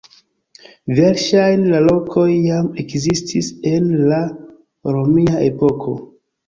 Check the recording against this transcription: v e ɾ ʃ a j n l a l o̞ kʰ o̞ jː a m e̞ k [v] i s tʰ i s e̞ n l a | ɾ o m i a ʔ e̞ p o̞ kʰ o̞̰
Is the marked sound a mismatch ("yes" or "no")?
yes